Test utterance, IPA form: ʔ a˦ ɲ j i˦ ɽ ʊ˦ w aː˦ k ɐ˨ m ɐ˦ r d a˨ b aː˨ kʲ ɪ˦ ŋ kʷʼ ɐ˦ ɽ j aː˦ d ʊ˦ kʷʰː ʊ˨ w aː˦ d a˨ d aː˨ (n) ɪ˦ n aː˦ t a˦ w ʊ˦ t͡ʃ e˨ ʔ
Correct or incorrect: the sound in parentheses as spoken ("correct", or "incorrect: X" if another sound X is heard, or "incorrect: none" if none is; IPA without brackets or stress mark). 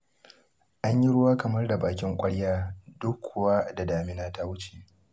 incorrect: m